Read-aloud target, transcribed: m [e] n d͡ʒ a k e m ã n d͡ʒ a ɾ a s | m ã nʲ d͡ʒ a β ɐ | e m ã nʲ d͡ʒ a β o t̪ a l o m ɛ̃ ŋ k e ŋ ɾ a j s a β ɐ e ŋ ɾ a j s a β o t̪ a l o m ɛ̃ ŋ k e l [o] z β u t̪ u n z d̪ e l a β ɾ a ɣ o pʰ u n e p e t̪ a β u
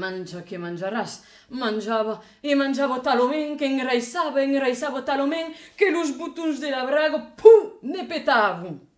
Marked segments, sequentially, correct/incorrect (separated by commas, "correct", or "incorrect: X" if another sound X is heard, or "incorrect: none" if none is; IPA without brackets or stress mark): incorrect: a, incorrect: u